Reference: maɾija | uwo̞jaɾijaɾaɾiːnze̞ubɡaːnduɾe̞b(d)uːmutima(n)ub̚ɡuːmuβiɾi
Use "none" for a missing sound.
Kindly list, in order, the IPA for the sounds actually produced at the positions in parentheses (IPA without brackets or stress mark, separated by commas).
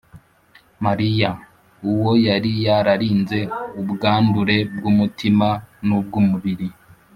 ɡ, n